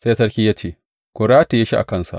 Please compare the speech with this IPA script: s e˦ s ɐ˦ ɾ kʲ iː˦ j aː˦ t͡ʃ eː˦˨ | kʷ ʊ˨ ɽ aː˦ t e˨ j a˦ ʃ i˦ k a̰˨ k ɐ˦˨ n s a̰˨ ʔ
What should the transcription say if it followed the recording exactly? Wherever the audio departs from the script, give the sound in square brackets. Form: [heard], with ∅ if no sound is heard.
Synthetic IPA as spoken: s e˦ s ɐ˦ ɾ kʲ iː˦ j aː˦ t͡ʃ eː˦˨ | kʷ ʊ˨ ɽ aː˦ t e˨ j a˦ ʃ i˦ [ʔ] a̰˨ k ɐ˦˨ n s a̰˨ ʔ